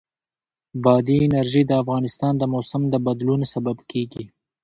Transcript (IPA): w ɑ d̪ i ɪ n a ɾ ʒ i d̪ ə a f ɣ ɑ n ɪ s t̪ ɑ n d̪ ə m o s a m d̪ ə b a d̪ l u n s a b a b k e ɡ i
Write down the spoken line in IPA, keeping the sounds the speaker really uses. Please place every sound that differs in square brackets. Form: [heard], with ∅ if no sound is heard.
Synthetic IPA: [b] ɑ d̪ i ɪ n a ɾ ʒ i d̪ ə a f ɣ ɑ n ɪ s t̪ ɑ n d̪ ə m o s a m d̪ ə b a d̪ l u n s a b a b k e ɡ i